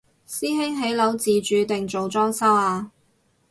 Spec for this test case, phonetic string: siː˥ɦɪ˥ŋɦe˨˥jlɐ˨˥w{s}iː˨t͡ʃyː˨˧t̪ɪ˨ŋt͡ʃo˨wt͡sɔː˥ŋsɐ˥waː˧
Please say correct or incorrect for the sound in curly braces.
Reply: incorrect: t͡s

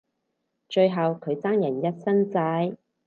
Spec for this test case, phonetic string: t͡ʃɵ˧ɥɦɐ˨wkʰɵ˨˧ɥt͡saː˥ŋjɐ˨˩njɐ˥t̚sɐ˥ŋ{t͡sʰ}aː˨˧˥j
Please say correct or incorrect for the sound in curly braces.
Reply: incorrect: t͡s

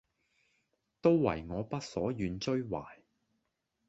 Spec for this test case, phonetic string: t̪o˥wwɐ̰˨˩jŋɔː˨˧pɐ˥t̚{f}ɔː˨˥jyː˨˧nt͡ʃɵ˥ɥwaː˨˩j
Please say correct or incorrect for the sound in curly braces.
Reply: incorrect: s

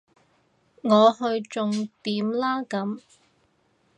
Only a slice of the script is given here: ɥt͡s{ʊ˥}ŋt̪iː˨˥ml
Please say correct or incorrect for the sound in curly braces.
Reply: incorrect: ʊ˨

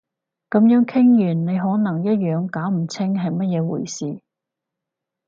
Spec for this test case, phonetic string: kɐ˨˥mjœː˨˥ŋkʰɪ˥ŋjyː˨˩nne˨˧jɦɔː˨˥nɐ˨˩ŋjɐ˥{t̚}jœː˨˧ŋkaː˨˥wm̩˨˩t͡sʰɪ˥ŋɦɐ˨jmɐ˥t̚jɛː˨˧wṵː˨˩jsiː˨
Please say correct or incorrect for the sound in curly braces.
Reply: correct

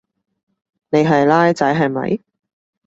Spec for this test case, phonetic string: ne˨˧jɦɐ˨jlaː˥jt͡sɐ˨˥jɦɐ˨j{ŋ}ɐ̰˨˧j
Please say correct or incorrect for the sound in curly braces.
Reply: incorrect: m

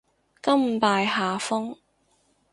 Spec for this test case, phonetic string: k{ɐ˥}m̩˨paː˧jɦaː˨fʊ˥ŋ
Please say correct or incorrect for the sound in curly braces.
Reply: correct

